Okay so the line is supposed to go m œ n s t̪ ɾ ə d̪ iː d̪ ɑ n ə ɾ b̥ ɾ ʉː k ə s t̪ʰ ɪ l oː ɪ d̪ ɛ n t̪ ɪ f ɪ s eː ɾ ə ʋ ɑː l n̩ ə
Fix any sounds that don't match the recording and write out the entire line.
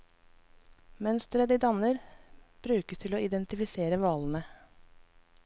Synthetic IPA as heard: m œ n s t̪ ɾ ə d̪ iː d̪ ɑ n ə ɾ b̥ ɾ ʉː k ə s t̪ʰ ɪ l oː ɪ d̪ ɛ n t̪ ɪ f ɪ s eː ɾ ə ʋ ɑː l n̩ ə